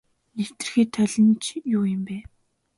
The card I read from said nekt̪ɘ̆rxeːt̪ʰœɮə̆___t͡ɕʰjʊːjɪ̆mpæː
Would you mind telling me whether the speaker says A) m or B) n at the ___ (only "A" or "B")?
B